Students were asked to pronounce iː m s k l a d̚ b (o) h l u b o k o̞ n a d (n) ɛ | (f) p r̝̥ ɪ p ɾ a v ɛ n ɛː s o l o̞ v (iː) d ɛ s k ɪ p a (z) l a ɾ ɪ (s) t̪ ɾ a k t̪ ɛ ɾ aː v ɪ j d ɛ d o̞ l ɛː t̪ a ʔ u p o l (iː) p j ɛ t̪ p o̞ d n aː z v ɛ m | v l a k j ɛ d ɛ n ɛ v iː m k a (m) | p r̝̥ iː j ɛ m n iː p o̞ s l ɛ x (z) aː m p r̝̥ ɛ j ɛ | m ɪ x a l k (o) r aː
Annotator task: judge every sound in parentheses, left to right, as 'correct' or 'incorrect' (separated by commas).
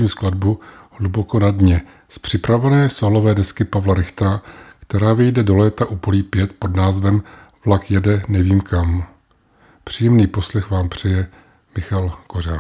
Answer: incorrect, incorrect, incorrect, incorrect, incorrect, incorrect, correct, correct, incorrect, correct